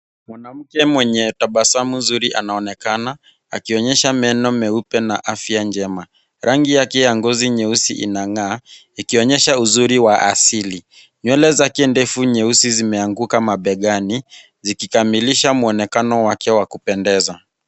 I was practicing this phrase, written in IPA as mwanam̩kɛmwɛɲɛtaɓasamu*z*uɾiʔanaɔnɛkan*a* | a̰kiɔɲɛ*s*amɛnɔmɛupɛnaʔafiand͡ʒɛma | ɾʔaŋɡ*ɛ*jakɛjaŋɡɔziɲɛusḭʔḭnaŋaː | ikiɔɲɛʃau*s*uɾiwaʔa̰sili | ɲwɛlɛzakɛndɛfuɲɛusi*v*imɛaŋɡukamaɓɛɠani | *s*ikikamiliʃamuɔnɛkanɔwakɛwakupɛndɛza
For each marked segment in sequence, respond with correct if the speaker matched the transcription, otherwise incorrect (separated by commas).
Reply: correct, correct, incorrect, incorrect, incorrect, incorrect, incorrect